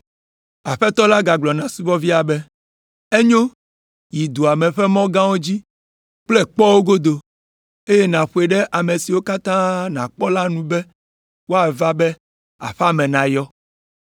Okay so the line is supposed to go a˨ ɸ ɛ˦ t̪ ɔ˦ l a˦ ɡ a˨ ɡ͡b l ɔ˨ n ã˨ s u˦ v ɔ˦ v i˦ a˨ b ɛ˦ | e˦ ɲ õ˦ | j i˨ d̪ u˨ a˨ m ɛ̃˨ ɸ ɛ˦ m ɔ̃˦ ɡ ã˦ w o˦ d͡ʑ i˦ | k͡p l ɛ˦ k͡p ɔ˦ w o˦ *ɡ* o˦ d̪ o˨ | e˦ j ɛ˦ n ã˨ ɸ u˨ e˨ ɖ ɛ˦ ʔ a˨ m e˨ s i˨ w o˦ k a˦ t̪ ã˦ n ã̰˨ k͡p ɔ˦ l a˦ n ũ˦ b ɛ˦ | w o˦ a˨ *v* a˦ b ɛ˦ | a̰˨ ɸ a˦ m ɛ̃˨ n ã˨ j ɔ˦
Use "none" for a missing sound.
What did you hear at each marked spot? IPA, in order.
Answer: ɡ, v

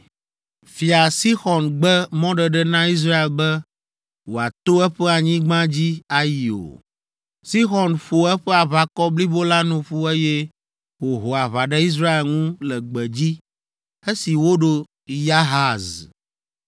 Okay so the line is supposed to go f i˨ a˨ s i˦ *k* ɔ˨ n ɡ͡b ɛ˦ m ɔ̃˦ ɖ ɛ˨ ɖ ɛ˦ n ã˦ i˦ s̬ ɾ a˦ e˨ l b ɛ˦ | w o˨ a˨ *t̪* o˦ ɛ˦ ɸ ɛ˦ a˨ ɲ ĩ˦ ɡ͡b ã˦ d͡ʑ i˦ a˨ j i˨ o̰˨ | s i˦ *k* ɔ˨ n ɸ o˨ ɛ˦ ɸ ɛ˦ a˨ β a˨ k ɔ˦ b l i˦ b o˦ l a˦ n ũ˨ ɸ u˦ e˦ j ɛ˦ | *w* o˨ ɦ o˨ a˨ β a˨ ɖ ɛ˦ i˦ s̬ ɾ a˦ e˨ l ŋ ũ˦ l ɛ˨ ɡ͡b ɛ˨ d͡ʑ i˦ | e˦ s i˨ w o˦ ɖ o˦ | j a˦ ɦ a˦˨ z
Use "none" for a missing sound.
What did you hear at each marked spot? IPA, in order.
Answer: x, t̪, x, w

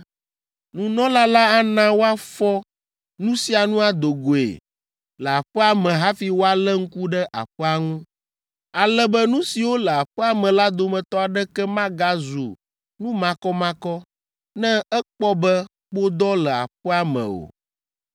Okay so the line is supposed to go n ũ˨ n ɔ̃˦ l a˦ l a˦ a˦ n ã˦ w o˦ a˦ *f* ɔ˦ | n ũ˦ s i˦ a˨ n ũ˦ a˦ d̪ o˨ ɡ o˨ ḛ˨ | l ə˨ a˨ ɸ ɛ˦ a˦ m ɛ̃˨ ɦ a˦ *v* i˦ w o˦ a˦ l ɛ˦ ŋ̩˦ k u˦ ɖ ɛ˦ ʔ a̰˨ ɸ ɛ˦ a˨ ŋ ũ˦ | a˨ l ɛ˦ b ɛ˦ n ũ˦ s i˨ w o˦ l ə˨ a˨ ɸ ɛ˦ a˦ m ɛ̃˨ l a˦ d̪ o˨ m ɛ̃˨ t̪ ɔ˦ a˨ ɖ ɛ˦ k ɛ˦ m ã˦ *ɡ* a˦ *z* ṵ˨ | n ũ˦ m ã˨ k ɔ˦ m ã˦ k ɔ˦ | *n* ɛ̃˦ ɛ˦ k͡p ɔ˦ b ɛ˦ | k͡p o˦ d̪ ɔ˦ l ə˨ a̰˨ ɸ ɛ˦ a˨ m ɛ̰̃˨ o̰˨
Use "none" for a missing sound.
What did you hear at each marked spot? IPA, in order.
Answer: f, f, ɡ, z, n

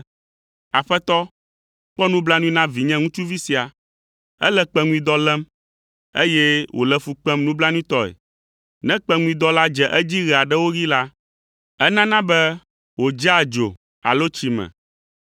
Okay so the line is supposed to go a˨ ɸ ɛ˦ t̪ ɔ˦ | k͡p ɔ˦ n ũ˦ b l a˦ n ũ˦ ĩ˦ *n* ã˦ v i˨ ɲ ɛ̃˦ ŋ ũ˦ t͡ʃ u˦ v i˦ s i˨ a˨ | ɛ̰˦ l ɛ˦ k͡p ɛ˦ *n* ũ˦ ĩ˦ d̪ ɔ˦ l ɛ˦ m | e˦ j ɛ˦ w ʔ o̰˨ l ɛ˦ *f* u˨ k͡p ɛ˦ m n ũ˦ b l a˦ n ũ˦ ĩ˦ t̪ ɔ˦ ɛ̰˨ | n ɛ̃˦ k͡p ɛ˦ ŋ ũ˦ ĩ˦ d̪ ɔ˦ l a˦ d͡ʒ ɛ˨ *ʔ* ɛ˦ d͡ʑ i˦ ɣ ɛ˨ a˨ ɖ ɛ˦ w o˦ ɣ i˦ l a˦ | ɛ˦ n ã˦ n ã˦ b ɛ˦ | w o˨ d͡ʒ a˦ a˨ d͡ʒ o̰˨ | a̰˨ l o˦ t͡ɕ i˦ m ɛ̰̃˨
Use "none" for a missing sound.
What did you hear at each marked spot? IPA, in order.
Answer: n, ŋ, f, ʔ

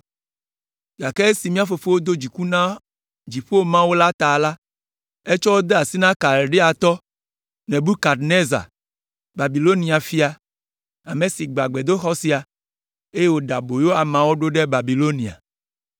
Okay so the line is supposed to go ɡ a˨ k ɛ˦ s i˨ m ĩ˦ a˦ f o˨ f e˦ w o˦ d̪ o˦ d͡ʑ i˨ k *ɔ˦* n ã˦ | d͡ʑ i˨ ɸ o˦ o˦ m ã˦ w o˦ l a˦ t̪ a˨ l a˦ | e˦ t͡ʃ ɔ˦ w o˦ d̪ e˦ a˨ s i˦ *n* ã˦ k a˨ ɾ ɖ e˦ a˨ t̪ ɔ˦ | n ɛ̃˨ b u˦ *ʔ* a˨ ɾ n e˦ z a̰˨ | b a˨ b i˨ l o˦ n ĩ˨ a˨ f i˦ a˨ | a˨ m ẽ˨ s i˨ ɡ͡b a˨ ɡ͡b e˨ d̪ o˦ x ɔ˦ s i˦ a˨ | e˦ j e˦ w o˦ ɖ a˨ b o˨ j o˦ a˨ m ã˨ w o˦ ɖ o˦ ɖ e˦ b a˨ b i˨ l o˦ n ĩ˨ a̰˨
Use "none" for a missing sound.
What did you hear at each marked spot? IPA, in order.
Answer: u˦, n, k

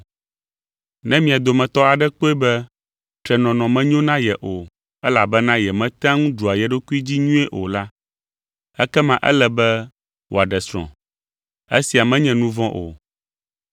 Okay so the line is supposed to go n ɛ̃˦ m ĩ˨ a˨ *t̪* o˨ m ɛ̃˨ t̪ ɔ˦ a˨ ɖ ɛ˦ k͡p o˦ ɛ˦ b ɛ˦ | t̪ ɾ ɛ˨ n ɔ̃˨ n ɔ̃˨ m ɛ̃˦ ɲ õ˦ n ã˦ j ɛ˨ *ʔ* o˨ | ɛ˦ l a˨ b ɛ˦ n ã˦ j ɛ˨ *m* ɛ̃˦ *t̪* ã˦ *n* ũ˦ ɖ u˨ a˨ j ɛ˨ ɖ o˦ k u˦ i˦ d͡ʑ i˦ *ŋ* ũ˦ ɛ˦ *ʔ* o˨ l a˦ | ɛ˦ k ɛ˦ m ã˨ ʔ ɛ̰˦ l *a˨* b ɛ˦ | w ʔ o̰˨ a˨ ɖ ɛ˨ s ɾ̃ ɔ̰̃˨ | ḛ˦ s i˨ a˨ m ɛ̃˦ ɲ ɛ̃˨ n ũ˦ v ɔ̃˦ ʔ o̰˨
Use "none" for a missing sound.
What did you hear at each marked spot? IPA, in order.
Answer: d̪, ʔ, m, t̪, ŋ, ɲ, ʔ, ɛ˨

